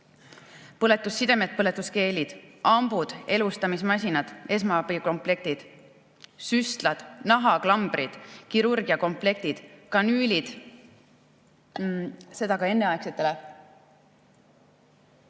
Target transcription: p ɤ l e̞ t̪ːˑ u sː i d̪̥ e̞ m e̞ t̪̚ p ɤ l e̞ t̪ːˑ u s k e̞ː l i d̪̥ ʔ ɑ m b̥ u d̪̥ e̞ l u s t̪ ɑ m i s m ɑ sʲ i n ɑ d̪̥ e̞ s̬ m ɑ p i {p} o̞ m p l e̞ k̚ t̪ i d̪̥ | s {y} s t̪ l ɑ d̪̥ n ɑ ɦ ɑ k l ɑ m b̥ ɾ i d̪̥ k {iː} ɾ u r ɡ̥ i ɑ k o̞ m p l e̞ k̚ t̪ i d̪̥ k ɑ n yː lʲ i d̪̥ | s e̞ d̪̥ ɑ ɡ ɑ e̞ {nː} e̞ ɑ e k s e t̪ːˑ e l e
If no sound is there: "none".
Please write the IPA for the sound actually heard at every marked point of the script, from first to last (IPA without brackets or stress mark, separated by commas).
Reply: k, y, i, nː